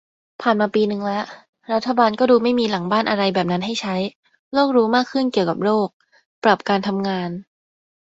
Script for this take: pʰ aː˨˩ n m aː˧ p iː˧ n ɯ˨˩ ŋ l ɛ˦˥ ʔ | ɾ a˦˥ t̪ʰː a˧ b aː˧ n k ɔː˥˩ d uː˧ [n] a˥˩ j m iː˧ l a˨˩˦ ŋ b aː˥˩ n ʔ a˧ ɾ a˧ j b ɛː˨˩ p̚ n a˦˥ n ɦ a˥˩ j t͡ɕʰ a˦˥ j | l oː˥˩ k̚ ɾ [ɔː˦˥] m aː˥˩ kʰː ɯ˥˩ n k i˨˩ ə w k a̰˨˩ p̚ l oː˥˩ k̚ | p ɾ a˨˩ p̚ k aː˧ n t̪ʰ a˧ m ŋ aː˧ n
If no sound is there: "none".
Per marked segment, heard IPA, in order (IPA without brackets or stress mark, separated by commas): m, uː˦˥